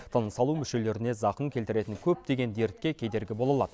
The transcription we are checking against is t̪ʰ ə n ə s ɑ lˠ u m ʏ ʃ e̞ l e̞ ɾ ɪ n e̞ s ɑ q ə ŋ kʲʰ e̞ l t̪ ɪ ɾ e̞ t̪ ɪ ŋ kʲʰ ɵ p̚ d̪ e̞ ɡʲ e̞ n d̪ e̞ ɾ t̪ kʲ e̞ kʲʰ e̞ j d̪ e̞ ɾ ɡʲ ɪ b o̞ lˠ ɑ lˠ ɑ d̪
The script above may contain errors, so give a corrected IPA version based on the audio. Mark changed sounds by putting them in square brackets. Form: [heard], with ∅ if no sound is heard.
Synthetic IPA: t̪ʰ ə n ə s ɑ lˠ u m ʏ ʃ e̞ l e̞ ɾ ɪ n e̞ [z] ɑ q ə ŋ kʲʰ e̞ l t̪ ɪ ɾ e̞ t̪ ɪ ŋ kʲʰ ɵ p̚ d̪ e̞ ɡʲ e̞ n d̪ e̞ ɾ t̪ kʲ e̞ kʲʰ e̞ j d̪ e̞ ɾ ɡʲ ɪ b o̞ lˠ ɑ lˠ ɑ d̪